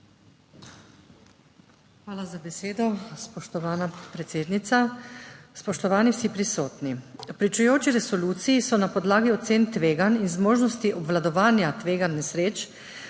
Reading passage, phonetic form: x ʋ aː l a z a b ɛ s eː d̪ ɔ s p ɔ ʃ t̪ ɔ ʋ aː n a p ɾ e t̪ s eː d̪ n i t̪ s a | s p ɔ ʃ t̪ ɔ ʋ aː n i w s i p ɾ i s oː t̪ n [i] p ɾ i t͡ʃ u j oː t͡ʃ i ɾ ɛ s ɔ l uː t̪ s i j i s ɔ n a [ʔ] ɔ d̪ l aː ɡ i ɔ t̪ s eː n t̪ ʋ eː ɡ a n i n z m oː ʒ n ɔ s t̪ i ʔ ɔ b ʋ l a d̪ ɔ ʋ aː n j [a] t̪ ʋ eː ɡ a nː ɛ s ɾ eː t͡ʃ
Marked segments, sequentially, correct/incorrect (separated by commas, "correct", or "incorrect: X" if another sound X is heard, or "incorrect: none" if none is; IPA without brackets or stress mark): correct, incorrect: p, correct